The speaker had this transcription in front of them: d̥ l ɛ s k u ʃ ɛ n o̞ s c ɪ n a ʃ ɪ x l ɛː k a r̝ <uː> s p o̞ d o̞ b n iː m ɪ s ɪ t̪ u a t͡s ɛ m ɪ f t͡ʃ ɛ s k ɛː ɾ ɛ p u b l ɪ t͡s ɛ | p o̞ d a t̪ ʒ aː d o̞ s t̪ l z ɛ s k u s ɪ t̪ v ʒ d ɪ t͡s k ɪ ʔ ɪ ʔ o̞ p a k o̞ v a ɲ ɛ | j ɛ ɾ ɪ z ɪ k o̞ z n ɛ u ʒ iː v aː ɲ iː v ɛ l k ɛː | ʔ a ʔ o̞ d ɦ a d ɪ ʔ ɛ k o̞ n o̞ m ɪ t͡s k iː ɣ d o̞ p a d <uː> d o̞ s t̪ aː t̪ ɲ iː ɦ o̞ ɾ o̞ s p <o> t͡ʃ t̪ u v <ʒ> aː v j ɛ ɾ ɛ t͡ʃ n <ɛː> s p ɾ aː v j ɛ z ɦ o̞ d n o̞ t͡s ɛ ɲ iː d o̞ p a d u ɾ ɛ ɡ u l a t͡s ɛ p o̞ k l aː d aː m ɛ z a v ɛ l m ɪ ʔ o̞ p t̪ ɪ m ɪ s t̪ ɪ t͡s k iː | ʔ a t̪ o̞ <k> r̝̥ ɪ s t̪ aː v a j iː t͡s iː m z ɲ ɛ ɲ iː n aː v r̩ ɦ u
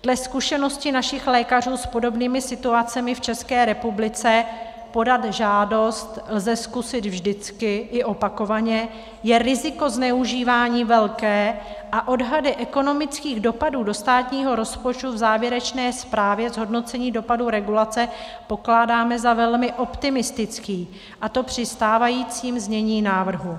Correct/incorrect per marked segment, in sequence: correct, correct, correct, incorrect, correct, incorrect

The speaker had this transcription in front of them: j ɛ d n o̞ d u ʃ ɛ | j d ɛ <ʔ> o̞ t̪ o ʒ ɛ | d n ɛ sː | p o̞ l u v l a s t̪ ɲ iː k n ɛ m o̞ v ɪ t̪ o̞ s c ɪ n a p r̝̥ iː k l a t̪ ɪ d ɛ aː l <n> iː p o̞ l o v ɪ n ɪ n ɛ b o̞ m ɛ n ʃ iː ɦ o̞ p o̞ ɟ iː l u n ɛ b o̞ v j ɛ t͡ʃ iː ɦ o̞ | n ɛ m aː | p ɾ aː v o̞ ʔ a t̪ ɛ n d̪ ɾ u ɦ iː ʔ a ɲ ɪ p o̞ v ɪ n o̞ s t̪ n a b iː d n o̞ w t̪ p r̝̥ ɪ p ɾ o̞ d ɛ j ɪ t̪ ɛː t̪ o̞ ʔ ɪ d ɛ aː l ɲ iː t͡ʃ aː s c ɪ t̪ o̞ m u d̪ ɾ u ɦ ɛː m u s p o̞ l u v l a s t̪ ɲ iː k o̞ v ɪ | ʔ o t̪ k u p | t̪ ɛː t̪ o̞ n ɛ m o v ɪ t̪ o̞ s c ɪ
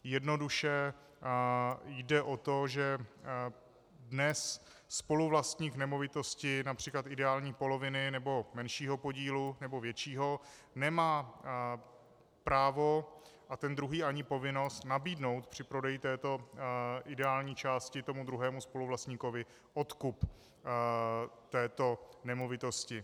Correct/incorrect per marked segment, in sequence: correct, incorrect

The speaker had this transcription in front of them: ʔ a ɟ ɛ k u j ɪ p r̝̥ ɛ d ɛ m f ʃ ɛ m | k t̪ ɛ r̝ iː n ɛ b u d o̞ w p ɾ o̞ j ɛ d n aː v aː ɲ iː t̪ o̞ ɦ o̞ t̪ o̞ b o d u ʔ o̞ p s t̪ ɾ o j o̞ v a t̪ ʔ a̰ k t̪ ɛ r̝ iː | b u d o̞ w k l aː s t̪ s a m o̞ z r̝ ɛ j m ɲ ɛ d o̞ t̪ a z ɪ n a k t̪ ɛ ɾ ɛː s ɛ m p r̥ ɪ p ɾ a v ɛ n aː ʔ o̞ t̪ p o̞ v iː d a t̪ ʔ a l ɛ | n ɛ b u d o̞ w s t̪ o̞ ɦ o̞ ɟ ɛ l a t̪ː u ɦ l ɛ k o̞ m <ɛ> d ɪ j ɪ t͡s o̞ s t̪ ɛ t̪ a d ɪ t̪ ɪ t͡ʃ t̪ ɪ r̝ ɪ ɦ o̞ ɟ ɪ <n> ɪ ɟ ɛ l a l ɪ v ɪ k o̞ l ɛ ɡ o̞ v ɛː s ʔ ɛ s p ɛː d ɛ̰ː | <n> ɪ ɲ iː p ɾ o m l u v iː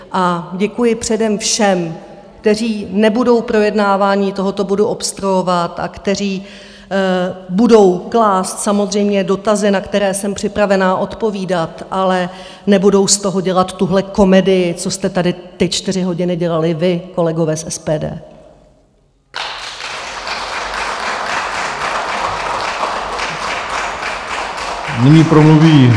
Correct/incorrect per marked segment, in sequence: correct, correct, correct

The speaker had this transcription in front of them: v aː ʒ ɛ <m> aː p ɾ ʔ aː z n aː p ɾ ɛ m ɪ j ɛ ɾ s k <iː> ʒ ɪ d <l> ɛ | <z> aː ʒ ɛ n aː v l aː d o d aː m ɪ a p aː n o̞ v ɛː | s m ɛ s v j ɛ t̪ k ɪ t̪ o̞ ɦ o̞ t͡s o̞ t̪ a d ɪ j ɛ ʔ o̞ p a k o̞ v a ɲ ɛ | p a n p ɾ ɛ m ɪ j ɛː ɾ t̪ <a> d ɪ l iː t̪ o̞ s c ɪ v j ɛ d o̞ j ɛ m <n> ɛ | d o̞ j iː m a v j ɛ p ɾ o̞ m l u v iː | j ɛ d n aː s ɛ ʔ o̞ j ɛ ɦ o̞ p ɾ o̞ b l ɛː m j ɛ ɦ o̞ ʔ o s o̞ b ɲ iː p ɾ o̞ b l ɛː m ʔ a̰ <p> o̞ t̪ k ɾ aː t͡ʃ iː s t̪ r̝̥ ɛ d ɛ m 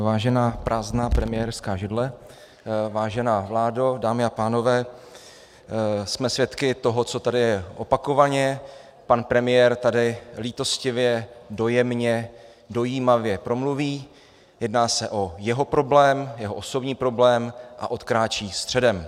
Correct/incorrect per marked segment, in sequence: incorrect, incorrect, correct, incorrect, correct, incorrect, incorrect

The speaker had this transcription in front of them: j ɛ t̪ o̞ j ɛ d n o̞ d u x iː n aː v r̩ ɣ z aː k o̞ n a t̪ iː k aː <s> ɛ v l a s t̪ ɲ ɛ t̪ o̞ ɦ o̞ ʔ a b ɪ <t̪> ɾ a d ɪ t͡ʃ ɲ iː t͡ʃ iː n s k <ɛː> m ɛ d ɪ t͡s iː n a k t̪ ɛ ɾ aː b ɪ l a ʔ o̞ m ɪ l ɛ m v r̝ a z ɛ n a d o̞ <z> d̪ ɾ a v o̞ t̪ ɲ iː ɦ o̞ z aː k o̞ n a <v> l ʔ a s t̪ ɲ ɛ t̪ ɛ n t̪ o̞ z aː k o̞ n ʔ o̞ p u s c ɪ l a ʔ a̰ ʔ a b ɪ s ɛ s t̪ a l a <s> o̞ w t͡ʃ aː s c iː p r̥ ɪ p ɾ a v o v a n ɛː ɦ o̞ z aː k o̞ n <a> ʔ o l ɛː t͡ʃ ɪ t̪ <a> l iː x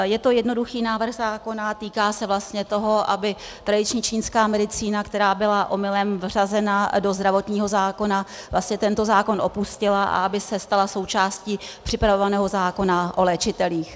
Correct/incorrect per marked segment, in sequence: correct, correct, incorrect, correct, correct, correct, correct, incorrect

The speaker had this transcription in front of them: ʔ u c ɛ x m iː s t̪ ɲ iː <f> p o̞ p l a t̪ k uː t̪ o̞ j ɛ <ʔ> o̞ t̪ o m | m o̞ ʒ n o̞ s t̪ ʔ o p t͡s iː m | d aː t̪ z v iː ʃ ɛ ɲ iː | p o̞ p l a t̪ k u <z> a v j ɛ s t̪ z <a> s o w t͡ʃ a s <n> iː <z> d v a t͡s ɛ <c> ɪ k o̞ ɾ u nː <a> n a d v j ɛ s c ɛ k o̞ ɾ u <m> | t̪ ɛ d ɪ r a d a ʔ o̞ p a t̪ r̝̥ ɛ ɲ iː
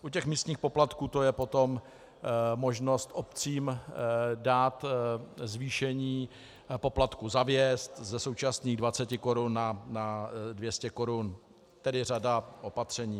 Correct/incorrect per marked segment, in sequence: incorrect, incorrect, correct, incorrect, correct, incorrect, correct, correct, incorrect

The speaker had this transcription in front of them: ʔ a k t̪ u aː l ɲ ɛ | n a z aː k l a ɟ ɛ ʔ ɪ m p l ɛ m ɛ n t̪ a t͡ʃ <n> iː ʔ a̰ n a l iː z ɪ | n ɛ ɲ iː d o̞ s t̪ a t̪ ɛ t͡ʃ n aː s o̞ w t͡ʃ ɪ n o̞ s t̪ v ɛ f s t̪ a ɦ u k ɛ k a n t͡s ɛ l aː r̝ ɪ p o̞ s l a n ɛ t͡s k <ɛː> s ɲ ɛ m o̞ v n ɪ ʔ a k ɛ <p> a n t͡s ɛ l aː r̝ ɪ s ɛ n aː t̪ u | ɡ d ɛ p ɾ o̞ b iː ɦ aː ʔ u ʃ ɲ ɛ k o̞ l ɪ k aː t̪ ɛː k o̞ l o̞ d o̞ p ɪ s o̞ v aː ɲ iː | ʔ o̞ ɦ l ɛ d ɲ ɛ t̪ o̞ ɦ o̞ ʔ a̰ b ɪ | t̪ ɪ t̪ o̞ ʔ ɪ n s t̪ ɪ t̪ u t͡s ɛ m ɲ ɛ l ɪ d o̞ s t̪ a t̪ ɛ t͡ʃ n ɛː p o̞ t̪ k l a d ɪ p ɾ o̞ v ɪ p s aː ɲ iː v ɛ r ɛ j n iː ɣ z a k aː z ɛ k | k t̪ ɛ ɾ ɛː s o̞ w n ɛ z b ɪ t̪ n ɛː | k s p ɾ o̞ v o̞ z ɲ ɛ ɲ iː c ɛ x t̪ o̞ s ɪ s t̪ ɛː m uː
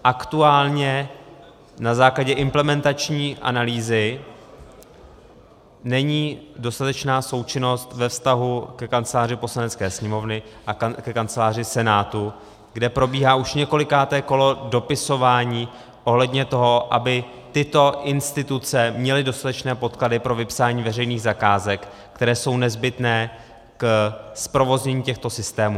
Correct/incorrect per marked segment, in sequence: incorrect, correct, incorrect

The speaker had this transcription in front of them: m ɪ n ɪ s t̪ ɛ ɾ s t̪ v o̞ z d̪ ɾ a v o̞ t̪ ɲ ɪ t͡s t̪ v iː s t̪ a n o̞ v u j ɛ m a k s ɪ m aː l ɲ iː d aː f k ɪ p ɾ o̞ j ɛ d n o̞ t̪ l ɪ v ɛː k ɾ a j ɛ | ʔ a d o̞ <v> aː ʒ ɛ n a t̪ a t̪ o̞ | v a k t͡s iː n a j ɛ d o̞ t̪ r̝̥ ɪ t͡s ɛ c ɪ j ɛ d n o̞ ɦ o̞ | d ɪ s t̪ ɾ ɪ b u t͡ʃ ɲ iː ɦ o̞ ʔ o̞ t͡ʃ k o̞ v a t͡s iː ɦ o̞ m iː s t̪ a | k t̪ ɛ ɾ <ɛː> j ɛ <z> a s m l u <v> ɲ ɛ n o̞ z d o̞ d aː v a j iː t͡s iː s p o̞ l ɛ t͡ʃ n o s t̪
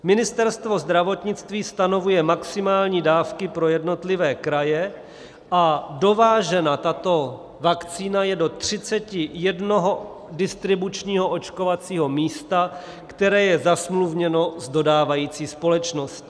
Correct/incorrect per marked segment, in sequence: correct, correct, correct, correct

